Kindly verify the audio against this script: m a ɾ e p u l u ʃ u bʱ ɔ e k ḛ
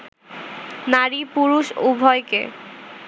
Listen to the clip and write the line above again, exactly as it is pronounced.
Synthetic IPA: n a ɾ i p u ɾ u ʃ u bʱ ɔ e k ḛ